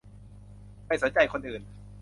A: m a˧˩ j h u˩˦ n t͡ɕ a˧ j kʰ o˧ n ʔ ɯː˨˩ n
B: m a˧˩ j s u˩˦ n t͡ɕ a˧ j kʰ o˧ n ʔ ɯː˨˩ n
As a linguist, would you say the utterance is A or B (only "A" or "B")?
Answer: B